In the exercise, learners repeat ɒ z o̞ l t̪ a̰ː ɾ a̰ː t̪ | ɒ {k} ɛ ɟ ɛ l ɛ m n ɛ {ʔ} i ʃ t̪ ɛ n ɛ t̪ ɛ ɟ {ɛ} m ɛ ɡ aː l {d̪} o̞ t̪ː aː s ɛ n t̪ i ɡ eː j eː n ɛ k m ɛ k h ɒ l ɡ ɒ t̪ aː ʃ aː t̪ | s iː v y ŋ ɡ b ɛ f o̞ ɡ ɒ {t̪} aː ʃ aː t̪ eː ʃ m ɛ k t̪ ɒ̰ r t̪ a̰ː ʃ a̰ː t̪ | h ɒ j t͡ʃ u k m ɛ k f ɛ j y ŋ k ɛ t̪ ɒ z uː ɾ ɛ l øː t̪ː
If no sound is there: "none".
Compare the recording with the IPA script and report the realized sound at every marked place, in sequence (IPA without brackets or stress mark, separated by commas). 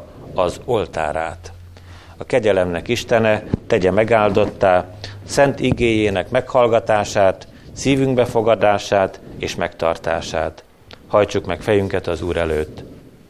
k, k, ɛ, d̪, d̪